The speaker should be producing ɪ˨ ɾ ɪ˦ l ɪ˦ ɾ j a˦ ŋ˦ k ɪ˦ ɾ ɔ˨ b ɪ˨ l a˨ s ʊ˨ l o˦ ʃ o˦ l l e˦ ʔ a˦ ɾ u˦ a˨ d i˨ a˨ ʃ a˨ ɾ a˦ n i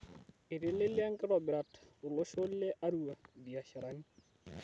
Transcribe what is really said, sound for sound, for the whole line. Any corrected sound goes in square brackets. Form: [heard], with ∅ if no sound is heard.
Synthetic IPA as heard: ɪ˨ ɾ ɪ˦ l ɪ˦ [l] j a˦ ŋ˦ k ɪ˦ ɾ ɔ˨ b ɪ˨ [ɾ] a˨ [t] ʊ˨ l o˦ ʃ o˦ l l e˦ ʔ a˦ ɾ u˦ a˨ d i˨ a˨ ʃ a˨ ɾ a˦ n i